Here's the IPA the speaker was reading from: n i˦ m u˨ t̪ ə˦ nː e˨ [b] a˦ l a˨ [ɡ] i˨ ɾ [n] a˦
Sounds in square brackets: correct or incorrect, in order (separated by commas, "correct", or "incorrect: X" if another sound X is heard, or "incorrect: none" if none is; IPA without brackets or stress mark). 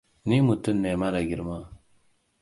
incorrect: m, correct, incorrect: m